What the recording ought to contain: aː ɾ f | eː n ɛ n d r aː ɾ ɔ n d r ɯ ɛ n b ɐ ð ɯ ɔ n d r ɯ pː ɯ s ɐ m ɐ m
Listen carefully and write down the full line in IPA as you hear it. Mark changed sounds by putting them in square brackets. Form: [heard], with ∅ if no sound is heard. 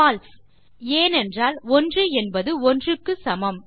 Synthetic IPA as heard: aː [l] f | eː n ɛ n d r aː [l] ɔ n d r ɯ ɛ n b ɐ ð ɯ ɔ n d r ɯ [kː] ɯ s ɐ m ɐ m